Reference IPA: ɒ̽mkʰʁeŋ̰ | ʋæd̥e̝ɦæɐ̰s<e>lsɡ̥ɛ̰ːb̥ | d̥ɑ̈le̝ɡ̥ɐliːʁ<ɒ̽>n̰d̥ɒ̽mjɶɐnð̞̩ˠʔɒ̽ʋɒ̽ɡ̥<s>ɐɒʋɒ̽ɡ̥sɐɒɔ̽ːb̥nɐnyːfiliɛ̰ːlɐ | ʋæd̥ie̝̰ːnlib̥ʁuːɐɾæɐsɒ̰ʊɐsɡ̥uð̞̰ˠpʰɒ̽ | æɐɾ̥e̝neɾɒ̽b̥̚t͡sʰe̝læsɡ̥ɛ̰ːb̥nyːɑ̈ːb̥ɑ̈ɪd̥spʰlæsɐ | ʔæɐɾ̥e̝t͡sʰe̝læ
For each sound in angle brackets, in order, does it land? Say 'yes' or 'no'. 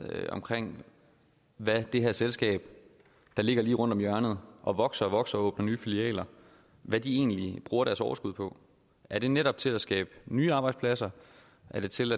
yes, no, yes

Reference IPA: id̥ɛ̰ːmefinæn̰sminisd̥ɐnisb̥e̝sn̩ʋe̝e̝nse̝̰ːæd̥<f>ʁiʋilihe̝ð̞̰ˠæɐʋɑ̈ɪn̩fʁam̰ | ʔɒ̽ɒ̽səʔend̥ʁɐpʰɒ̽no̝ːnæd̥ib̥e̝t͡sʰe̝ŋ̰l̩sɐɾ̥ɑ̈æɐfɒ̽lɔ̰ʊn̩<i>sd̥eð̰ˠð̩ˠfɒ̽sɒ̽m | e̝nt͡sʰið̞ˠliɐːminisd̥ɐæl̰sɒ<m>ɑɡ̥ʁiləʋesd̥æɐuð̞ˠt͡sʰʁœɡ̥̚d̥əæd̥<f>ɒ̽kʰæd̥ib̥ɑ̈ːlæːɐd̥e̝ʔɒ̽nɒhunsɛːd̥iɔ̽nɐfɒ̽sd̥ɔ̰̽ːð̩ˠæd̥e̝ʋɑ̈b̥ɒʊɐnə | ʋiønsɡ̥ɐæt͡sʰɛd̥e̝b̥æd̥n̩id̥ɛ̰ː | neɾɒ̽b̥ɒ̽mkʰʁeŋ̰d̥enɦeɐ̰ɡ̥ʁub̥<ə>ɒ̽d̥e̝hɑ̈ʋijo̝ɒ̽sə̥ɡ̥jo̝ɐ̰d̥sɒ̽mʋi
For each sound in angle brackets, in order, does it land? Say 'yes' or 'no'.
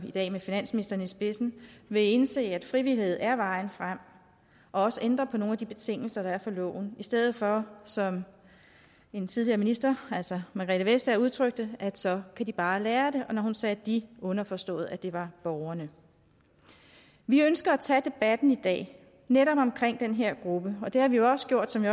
yes, yes, yes, no, yes

